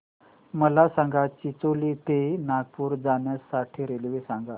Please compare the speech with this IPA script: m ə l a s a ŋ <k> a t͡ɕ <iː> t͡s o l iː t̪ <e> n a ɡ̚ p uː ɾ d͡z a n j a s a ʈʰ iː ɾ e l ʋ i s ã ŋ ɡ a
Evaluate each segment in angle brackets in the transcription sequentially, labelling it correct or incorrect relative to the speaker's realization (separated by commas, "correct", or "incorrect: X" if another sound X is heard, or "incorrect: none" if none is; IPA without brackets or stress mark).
incorrect: ɡ, incorrect: i, correct